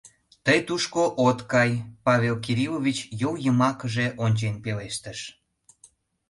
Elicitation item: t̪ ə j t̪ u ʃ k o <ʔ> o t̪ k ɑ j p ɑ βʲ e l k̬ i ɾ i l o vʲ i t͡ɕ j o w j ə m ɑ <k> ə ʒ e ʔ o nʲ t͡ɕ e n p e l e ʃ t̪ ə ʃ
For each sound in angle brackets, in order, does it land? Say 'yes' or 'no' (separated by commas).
yes, yes